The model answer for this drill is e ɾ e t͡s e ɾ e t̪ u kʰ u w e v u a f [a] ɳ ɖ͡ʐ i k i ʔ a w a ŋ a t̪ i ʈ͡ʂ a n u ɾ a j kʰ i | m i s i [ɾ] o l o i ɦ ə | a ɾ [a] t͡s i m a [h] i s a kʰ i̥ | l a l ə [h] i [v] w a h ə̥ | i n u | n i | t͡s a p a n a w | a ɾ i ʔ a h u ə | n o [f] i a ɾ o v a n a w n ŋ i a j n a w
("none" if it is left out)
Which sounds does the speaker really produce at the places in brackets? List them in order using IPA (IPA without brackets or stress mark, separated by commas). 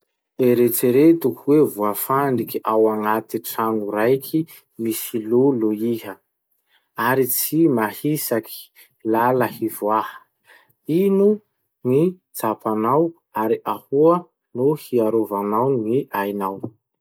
a, l, i, h, h, v, h